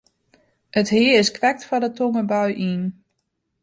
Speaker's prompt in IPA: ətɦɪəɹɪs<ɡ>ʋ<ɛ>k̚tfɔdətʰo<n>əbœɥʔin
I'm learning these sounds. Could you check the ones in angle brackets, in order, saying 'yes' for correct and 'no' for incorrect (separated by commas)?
no, yes, no